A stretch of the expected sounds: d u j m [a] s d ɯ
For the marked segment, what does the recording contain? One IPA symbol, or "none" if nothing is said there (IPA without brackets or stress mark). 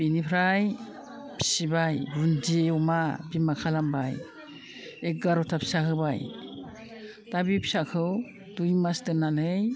a